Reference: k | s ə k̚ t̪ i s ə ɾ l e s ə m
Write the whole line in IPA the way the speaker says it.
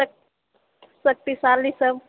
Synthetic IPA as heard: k | s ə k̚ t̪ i s a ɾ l i s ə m